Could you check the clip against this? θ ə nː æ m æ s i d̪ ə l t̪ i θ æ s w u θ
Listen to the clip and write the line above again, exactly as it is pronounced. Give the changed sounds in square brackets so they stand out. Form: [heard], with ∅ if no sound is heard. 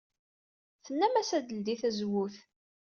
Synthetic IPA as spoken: θ ə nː æ m æ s [æ] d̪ ə l [d̪] i θ æ [z] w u θ